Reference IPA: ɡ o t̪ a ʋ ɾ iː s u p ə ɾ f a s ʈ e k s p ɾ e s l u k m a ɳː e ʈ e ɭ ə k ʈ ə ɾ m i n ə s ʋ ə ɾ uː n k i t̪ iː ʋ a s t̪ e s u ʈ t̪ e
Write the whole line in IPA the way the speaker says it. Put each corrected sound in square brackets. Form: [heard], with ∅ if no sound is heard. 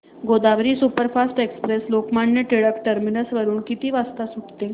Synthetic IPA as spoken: ɡ o [d̪] a ʋ ɾ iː s u p ə ɾ f a s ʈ e k s p ɾ e s l [o] k m a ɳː e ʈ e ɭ ə k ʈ ə ɾ m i n ə s ʋ ə ɾ uː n k i t̪ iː ʋ a s t̪ [a] s u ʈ t̪ e